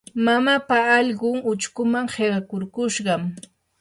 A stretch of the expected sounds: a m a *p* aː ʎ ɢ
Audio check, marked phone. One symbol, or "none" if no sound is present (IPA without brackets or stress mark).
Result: p